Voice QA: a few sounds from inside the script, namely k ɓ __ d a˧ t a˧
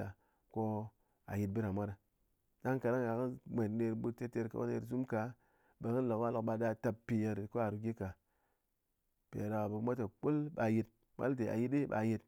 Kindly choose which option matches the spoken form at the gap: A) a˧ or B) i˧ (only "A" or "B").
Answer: A